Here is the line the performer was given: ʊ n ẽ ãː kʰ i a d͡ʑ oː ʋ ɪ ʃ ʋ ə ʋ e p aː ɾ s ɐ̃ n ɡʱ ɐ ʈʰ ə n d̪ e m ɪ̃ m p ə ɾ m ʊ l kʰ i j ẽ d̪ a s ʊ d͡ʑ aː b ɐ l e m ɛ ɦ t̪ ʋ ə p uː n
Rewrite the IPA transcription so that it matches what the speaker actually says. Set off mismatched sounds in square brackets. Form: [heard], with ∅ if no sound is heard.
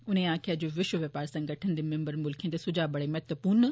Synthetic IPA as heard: ʊ n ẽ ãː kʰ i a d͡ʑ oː ʋ ɪ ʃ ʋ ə ʋ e p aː ɾ s ɐ̃ [ŋ] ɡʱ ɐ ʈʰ ə n d̪ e m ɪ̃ m [b] ə ɾ m ʊ l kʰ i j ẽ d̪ [e] s ʊ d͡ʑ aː b ɐ [ɽ] e m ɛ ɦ t̪ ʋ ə p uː n